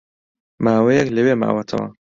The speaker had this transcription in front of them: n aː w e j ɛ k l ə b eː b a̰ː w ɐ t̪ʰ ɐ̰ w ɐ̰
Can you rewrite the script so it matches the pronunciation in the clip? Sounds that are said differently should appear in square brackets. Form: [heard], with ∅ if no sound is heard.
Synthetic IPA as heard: [m] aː w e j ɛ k l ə [w] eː [m] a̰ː w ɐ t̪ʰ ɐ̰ w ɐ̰